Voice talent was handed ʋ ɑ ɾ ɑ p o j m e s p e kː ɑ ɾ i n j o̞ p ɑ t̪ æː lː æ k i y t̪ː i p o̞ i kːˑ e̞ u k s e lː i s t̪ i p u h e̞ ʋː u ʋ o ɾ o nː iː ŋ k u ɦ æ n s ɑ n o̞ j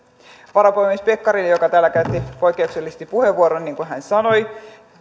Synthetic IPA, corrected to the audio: ʋ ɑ ɾ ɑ p o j m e s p e kː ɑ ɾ i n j o̞ k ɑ t̪ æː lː æ k æ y t̪ː i p o̞ j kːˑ e̞ u k s e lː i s t̪ i p u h e̞ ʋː u o ɾ o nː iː ŋ k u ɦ æ n s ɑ n o̞ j